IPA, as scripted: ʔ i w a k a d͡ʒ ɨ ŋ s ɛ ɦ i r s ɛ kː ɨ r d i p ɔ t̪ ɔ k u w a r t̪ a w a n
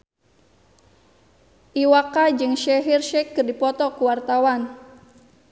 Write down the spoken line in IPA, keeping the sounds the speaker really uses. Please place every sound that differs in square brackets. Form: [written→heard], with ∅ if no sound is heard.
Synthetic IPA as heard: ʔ i w a k a d͡ʒ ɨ ŋ [s→ʃ] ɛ ɦ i r [s→ʃ] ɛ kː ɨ r d i p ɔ t̪ ɔ k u w a r t̪ a w a n